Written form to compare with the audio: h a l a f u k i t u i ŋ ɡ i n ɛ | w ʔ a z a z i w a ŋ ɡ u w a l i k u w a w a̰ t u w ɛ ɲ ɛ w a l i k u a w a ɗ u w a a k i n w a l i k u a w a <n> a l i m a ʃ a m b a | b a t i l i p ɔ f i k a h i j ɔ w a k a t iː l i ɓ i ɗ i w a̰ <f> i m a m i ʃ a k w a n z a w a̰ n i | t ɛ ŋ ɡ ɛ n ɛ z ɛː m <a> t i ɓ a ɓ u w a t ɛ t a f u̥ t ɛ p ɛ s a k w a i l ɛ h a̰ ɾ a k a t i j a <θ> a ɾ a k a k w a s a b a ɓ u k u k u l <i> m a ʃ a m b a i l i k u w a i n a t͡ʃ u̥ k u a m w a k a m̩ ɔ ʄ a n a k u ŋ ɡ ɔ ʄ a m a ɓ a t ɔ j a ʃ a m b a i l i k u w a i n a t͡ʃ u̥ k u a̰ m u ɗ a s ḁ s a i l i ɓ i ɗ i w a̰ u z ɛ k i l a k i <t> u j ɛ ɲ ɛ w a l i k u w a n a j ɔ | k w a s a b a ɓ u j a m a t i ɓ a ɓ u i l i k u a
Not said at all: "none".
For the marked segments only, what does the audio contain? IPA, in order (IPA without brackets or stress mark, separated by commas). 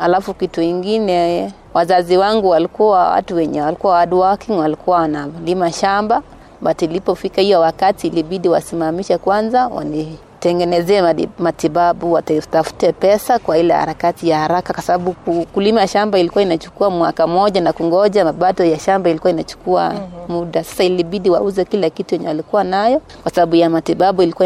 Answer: n, s, a, h, i, t